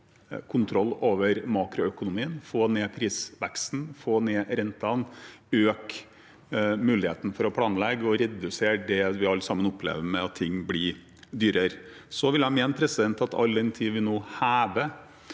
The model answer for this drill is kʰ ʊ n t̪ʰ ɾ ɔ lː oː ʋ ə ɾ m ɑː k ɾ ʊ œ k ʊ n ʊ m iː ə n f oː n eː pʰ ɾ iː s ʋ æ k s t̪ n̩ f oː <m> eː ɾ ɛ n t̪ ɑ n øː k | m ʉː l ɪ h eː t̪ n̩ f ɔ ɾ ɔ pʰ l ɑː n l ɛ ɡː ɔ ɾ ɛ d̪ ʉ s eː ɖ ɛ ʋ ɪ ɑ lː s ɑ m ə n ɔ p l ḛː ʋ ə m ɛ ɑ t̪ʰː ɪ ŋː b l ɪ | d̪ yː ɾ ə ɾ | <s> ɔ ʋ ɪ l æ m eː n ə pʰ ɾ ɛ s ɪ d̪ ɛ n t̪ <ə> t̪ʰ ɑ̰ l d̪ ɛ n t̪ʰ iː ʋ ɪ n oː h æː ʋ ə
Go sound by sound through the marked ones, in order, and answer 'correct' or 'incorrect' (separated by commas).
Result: incorrect, correct, incorrect